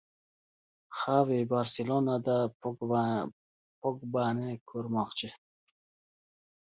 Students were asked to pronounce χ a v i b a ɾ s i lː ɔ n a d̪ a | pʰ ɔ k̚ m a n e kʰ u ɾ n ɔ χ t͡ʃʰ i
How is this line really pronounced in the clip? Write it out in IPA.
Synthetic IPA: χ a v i b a ɾ s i l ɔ n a d̪ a | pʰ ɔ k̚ b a n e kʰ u ɾ m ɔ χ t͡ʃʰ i